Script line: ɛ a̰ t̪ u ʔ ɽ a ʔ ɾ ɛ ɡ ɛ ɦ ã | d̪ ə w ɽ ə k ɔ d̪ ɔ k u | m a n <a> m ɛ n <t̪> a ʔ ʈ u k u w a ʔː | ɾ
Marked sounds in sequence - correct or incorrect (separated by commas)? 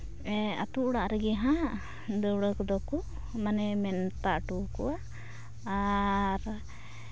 incorrect, correct